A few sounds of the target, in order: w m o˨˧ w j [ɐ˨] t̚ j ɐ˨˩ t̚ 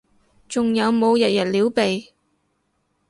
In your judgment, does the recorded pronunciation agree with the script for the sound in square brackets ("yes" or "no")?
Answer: yes